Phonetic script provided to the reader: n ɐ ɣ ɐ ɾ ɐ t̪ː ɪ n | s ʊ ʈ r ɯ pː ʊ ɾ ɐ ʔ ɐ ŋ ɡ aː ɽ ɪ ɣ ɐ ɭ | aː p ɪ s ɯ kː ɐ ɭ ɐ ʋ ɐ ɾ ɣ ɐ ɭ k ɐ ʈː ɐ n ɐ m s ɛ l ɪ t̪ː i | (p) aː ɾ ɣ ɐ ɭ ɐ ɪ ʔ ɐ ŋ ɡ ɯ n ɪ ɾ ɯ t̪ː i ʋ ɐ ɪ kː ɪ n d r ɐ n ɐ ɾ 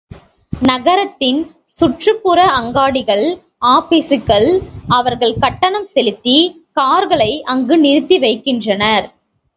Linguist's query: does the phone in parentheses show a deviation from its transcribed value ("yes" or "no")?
yes